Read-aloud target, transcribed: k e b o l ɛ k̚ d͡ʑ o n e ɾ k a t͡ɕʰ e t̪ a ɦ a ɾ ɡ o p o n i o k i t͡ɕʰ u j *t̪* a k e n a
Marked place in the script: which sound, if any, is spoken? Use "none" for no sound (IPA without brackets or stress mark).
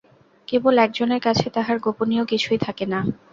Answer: t̪ʰ